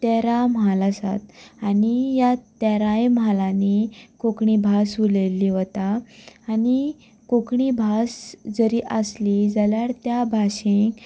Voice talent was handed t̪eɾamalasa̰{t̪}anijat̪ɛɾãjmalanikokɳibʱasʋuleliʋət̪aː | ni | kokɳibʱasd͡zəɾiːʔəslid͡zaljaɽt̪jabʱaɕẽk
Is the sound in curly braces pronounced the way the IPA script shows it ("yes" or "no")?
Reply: yes